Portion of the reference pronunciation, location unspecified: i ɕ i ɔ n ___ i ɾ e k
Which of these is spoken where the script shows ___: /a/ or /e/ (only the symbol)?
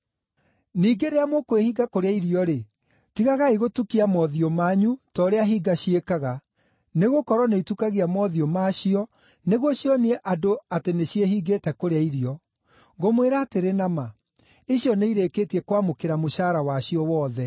e